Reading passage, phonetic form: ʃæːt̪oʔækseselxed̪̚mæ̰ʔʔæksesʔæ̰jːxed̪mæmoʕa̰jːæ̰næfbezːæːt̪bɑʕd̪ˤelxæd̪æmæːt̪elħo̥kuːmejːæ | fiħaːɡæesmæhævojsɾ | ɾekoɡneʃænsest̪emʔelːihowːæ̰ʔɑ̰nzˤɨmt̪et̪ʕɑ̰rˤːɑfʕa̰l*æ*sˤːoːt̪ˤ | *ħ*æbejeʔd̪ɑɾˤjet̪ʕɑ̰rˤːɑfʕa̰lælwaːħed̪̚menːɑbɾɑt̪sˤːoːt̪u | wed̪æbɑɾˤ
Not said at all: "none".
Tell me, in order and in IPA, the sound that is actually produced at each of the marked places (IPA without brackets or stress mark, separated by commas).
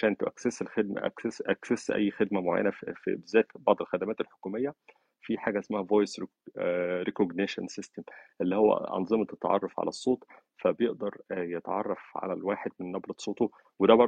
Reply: æ, f